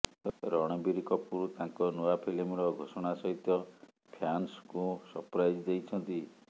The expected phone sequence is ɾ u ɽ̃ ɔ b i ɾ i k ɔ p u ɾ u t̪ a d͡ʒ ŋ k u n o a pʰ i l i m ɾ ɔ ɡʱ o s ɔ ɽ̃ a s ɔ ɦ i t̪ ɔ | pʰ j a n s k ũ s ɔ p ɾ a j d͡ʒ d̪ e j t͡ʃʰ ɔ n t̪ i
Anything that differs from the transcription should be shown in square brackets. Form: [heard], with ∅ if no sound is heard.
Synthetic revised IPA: ɾ [ɔ] ɽ̃ ɔ b i ɾ i k ɔ p u ɾ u t̪ a [∅] ŋ k [ɔ] n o a pʰ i l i m ɾ ɔ ɡʱ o s ɔ ɽ̃ a s ɔ ɦ i t̪ ɔ | pʰ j a n s k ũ s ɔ p ɾ a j d͡ʒ d̪ e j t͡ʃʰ ɔ n t̪ i